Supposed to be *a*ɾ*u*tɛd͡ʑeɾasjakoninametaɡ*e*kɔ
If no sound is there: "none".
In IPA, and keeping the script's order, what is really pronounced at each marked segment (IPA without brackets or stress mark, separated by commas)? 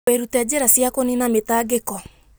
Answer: e, u, e